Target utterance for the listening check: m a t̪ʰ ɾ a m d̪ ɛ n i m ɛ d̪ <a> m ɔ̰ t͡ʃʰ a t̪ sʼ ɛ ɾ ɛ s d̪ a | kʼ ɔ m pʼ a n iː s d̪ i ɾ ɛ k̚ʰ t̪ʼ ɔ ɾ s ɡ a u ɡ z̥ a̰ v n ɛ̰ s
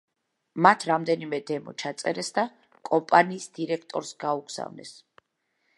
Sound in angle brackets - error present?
yes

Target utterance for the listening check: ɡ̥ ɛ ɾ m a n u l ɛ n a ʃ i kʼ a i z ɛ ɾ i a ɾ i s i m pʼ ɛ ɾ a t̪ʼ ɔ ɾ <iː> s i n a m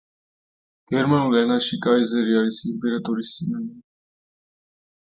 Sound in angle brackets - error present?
yes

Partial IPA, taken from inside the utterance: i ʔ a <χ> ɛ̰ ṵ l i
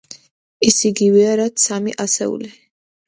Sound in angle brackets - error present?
yes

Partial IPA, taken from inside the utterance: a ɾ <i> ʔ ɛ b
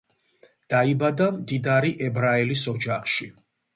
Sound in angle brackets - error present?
no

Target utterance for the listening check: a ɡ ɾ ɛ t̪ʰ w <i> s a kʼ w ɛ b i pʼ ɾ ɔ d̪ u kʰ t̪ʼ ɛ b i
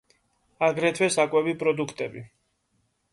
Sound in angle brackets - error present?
yes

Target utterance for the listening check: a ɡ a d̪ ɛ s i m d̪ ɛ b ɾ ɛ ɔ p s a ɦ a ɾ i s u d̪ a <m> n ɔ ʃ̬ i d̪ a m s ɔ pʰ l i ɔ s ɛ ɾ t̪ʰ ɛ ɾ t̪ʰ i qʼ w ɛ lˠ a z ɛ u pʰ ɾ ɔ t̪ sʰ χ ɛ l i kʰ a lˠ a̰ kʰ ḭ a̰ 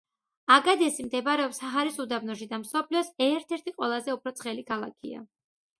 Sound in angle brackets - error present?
yes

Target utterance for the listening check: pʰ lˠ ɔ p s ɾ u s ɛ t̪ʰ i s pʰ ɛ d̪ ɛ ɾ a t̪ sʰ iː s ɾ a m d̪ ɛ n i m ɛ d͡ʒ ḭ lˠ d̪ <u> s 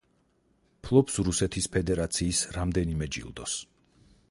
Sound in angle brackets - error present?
yes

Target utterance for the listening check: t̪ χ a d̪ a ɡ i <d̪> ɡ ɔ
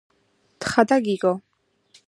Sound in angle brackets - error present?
yes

